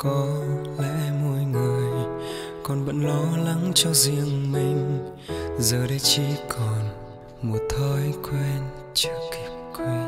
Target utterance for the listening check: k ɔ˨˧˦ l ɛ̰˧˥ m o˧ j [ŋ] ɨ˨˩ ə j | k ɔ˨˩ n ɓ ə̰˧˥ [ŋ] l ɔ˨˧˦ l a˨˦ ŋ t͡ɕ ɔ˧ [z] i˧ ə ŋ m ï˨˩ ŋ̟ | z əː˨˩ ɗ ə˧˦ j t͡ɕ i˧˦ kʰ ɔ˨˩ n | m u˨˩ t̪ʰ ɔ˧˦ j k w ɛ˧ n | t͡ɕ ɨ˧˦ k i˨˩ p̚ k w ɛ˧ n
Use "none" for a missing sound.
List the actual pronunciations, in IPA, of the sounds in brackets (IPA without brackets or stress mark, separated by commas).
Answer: ŋ, n, z